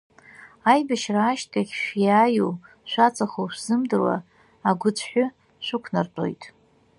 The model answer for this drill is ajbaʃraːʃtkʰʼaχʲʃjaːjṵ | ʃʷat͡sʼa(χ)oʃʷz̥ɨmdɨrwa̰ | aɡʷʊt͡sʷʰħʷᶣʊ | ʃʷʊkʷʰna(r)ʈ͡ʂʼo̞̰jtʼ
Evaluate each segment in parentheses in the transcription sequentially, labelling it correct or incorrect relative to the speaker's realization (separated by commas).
correct, correct